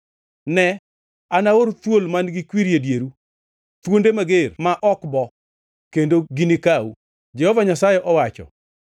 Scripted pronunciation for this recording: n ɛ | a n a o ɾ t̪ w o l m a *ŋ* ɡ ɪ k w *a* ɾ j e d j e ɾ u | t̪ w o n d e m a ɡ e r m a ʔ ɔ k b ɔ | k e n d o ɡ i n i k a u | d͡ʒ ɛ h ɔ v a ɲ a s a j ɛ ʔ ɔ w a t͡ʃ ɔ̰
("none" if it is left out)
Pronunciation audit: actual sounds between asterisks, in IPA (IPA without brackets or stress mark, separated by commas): n, i